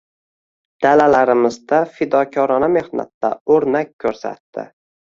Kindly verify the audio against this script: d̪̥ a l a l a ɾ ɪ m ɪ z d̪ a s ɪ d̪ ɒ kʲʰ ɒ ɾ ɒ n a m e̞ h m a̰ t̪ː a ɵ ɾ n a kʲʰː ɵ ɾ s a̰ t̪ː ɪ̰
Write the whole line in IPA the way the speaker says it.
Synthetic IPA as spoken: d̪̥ a l a l a ɾ ɪ m ɪ z d̪ a f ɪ d̪ ɒ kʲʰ ɒ ɾ ɒ n a m e̞ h n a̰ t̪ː a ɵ ɾ n a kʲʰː ɵ ɾ s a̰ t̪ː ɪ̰